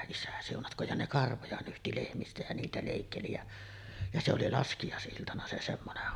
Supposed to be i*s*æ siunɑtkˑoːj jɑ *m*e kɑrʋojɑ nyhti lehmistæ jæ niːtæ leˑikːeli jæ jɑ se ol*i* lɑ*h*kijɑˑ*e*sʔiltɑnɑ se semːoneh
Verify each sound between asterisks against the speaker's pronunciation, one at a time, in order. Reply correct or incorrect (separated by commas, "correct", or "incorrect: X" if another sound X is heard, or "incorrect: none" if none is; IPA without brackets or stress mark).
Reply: correct, incorrect: n, correct, incorrect: s, correct